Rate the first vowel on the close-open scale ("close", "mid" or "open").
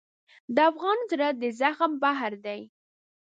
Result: mid